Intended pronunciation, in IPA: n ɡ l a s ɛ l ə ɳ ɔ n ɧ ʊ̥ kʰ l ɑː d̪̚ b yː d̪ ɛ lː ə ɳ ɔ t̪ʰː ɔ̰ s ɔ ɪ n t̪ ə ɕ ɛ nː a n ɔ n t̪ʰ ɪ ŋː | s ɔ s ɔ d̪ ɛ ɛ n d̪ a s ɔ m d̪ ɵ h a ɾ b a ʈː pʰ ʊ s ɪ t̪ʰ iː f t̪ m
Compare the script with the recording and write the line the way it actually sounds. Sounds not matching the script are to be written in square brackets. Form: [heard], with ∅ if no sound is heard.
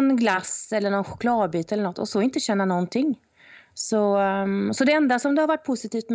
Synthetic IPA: n ɡ l a s ɛ [lː] ə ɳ ɔ n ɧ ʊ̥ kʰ l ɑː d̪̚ b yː [t̪] ɛ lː ə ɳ ɔ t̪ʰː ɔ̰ s ɔ ɪ n t̪ ə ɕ ɛ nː a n ɔ n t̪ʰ ɪ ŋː | s ɔ s ɔ d̪ ɛ ɛ n d̪ a s ɔ m d̪ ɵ h a ɾ [v] a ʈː pʰ ʊ s ɪ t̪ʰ iː f t̪ m